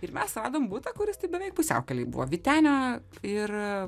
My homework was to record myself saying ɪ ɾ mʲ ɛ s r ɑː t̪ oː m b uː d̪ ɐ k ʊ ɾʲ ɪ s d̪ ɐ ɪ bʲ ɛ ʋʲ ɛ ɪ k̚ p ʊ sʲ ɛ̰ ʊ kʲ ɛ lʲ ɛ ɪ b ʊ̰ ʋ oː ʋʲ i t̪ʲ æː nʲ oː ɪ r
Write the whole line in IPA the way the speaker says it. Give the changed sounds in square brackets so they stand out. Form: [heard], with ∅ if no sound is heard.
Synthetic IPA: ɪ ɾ mʲ ɛ s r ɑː [d̪] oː m b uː [t̪] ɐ k ʊ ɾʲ ɪ s [t̪] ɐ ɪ bʲ ɛ ʋʲ ɛ ɪ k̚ p ʊ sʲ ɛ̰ ʊ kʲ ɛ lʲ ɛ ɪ b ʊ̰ ʋ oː ʋʲ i t̪ʲ æː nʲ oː ɪ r